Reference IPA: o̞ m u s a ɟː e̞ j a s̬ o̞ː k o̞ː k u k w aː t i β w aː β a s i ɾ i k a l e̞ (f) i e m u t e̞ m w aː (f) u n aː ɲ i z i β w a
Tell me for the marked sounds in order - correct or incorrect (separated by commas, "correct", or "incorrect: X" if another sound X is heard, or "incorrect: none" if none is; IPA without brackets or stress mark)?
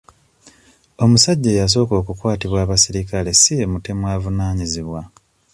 incorrect: s, incorrect: v